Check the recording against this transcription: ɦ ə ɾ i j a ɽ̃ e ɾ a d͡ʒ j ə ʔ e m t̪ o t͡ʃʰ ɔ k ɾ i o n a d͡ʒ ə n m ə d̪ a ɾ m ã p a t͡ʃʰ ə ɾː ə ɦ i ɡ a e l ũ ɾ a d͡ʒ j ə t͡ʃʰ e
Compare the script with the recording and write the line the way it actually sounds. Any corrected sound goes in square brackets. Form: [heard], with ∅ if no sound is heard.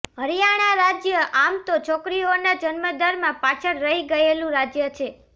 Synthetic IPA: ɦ ə ɾ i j a ɽ̃ [a] ɾ a d͡ʒ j ə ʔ [a] m t̪ o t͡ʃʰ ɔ k ɾ i o n a d͡ʒ ə n m ə d̪ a ɾ m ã p a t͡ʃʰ ə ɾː ə ɦ i ɡ [ə] e l ũ ɾ a d͡ʒ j ə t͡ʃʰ e